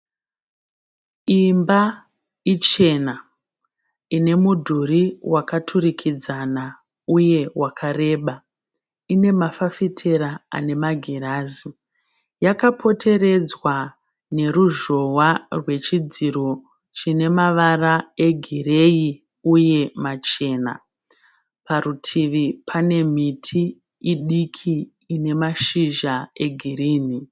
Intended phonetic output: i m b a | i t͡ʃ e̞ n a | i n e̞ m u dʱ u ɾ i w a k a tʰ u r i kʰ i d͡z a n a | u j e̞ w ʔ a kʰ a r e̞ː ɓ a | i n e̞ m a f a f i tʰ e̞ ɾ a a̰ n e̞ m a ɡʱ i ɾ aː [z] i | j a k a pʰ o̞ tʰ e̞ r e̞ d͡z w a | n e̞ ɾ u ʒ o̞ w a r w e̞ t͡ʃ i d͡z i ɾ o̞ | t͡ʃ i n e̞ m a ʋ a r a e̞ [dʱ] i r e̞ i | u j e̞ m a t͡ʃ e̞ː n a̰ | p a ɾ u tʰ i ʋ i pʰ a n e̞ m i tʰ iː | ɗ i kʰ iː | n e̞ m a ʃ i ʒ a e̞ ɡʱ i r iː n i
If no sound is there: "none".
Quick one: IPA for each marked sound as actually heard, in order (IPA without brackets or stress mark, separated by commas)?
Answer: z, ɡʱ